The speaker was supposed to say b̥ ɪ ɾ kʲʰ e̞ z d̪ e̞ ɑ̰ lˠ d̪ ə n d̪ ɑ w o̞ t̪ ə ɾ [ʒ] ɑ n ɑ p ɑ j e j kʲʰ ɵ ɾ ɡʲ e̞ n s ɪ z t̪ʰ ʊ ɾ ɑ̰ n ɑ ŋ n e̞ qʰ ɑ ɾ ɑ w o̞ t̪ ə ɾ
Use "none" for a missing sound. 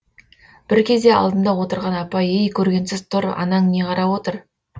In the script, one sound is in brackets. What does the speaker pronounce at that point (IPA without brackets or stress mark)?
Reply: ʁ